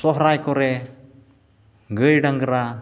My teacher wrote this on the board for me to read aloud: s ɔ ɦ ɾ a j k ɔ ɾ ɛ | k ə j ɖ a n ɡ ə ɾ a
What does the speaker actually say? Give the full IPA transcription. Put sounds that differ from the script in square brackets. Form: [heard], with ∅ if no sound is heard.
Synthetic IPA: s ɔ ɦ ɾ a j k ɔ ɾ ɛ | [ɡ] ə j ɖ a [ŋ] ɡ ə ɾ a